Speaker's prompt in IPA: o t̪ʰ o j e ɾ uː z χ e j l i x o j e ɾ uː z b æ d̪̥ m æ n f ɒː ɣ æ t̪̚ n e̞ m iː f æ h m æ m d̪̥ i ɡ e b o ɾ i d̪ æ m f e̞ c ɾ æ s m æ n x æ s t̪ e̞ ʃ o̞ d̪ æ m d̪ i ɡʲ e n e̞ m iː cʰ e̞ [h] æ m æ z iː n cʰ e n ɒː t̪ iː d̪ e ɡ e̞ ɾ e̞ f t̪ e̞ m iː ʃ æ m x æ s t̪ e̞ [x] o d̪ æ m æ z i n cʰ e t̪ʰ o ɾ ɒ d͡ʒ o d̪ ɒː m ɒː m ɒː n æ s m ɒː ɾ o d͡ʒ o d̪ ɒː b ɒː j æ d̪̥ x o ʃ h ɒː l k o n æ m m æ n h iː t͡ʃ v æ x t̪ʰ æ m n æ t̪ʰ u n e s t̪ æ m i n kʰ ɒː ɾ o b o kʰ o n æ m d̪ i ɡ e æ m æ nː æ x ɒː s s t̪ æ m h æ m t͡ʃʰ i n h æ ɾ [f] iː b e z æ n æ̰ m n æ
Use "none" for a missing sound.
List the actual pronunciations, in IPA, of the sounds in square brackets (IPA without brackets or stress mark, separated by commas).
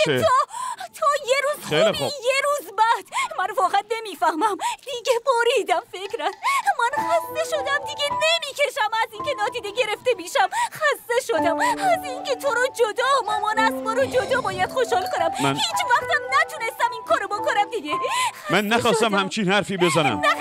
ʃ, ʃ, f